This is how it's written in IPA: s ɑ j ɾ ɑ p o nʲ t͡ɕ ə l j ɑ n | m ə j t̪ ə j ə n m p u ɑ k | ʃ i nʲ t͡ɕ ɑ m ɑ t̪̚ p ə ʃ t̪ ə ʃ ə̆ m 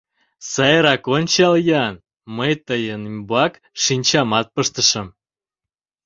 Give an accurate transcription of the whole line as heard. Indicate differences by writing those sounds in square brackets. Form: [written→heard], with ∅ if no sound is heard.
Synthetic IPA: s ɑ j ɾ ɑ [p→k] o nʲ t͡ɕ [ə→ɑ] l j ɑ n | m ə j t̪ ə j ə n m [p→b] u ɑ k | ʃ i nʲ t͡ɕ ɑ m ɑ t̪̚ p ə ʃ t̪ ə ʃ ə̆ m